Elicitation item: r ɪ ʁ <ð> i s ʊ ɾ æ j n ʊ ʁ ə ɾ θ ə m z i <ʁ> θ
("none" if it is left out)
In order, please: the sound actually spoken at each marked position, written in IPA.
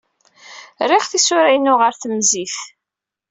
θ, none

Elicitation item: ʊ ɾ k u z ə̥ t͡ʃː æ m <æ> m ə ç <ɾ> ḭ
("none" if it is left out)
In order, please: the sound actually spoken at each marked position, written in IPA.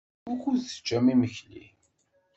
i, l

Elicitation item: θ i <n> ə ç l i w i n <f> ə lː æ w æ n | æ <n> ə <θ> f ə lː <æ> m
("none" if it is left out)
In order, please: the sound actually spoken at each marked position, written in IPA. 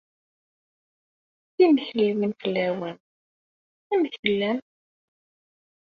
m, f, m, θ, æ

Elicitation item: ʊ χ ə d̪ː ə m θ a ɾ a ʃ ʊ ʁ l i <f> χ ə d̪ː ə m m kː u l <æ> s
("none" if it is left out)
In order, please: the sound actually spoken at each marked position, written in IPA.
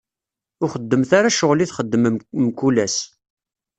θ, æ

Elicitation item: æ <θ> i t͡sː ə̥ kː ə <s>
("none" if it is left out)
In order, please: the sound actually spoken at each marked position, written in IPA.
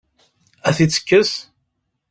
θ, s

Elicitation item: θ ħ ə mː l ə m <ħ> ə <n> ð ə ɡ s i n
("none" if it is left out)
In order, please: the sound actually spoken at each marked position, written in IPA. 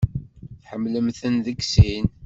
θ, n

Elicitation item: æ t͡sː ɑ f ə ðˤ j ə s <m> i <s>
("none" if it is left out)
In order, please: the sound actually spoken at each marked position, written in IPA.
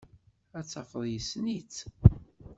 n, t͡s

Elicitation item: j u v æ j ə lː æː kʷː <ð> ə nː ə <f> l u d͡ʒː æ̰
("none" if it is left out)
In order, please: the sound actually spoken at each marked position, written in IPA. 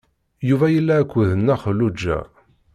ð, χ

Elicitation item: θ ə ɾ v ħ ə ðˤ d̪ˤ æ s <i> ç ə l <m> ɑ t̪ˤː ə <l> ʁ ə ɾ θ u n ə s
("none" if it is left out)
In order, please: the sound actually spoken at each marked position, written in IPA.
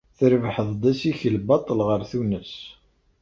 i, b, l

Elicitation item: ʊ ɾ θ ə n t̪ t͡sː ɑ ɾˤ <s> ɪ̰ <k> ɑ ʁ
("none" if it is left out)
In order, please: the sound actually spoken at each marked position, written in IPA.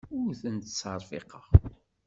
f, q

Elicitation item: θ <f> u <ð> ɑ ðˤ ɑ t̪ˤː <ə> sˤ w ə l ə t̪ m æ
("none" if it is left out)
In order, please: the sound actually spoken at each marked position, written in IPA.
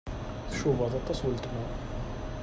ʃ, v, ɑ

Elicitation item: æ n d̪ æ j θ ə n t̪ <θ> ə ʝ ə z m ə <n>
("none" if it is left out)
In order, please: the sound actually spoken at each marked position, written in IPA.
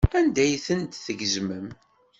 θ, m

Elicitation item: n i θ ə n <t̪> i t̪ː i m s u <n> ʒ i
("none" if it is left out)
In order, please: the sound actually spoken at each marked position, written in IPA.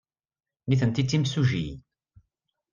t̪, none

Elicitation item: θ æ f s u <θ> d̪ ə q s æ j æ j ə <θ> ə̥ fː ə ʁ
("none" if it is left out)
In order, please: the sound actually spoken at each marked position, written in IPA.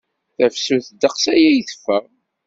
θ, θ

